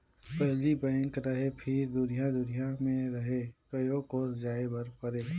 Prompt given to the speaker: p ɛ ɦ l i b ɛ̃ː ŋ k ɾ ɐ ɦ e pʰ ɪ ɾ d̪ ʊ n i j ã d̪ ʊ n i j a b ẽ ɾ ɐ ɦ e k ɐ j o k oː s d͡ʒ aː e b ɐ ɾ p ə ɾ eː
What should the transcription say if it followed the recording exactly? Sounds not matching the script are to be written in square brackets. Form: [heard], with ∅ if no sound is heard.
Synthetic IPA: p ɛ ɦ l i b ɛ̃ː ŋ k ɾ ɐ ɦ e pʰ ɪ ɾ d̪ ʊ n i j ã d̪ ʊ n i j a [m] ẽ ɾ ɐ ɦ e k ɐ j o k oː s d͡ʒ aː e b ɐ ɾ p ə ɾ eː